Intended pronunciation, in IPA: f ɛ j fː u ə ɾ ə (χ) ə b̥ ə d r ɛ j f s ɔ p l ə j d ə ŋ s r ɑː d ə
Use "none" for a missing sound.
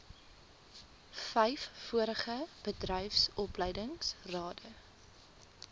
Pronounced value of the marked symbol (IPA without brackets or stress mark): χ